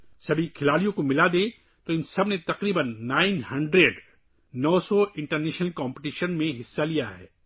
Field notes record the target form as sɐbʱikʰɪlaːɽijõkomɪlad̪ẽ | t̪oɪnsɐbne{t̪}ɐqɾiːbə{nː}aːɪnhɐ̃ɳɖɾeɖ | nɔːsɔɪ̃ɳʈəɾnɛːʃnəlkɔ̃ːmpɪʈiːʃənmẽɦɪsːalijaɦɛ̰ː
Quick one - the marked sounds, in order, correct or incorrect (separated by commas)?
correct, correct